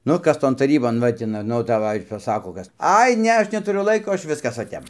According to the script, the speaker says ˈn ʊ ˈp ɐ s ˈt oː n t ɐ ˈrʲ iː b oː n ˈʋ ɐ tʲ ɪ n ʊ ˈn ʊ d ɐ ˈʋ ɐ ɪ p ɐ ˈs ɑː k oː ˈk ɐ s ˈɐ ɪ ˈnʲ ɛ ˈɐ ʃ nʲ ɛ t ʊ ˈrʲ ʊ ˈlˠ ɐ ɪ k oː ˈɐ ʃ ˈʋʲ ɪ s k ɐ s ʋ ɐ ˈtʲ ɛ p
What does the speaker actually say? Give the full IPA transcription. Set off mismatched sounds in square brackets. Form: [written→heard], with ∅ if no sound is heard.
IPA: ˈn ʊ [ˈp→ˈk] ɐ s ˈt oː n t ɐ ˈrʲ iː b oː n ˈʋ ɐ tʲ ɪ n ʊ ˈn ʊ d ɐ ˈʋ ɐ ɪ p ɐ ˈs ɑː k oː ˈk ɐ s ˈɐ ɪ ˈnʲ ɛ ˈɐ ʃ nʲ ɛ t ʊ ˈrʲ ʊ ˈlˠ ɐ ɪ k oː ˈɐ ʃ ˈʋʲ ɪ s k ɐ s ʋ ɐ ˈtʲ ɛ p